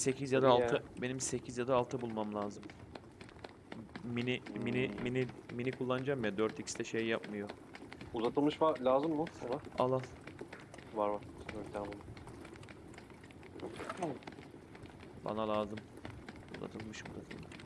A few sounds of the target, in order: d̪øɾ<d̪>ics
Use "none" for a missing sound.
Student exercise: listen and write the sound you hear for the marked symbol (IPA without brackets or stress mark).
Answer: t̪